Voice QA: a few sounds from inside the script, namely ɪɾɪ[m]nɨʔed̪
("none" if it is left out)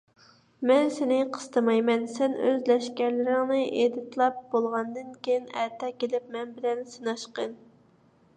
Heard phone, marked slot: ŋ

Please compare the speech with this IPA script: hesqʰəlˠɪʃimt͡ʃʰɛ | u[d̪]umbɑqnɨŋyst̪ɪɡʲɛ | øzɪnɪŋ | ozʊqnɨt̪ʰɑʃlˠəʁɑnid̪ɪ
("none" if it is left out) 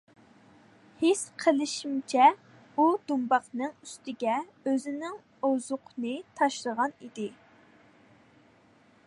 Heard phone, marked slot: d̪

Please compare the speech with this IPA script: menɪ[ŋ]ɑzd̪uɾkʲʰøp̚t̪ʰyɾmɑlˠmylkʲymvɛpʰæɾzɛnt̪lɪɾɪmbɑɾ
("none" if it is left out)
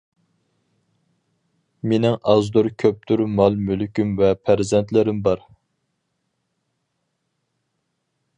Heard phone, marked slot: ŋ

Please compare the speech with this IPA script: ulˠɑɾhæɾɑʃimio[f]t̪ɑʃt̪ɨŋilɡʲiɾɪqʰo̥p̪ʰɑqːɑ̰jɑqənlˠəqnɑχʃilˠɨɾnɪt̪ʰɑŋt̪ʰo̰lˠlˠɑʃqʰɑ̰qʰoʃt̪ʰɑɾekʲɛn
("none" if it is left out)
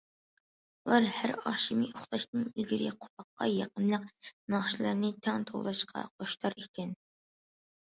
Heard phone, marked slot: χ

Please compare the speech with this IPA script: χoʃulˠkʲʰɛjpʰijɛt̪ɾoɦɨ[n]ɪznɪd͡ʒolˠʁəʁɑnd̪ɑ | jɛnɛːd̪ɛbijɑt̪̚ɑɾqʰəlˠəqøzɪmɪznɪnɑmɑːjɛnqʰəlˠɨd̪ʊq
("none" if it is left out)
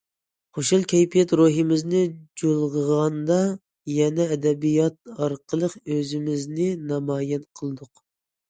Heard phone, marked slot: m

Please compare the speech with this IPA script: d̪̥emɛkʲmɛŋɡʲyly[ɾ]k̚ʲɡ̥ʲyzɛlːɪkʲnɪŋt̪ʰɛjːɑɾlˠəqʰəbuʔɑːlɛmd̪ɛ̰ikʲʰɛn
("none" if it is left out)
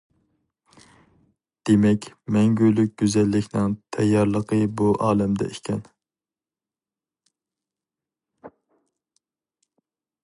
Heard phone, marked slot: none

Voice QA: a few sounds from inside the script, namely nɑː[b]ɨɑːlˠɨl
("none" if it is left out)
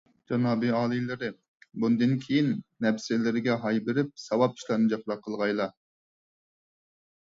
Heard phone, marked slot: b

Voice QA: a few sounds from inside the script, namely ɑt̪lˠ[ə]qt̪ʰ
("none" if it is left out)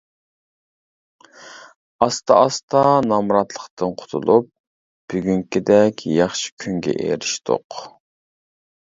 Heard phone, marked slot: ə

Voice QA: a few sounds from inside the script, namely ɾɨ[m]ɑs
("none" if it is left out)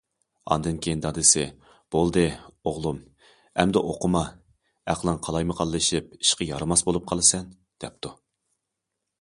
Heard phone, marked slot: m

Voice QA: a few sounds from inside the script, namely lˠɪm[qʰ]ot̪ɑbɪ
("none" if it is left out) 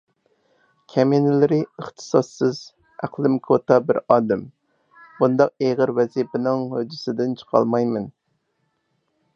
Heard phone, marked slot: kʰ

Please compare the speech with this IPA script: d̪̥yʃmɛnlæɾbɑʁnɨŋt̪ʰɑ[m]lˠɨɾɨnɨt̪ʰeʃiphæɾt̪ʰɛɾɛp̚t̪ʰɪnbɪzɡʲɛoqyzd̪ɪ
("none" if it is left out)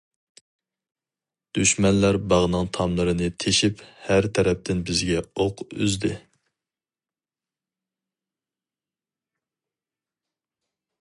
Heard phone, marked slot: m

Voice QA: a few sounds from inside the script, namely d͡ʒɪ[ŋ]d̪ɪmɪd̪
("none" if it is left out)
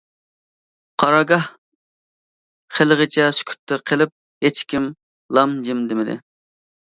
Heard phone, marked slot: m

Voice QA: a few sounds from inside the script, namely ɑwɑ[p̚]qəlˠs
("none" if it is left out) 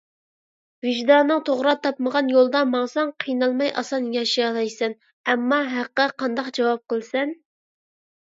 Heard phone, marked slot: p̚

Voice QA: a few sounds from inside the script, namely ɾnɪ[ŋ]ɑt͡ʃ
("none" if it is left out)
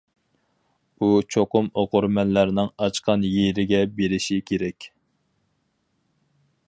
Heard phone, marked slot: ŋ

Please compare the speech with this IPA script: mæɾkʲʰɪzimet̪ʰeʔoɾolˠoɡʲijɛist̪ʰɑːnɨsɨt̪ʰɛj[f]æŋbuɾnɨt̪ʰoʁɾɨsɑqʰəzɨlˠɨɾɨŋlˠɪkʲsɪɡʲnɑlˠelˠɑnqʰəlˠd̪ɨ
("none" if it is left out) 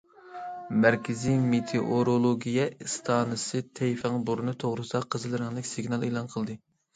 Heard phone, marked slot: f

